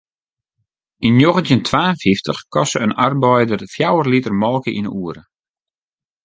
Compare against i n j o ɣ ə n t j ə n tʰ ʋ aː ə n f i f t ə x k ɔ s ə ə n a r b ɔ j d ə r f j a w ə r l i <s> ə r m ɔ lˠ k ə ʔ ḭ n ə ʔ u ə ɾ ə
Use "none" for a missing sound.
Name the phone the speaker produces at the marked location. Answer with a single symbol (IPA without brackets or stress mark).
t